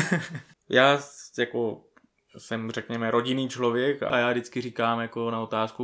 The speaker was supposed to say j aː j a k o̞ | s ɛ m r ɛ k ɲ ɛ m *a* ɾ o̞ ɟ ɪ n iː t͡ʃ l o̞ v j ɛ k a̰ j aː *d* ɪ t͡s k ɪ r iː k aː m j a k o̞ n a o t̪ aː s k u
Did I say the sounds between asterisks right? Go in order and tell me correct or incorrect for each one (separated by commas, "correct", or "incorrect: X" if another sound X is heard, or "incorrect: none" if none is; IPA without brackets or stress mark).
incorrect: ɛ, correct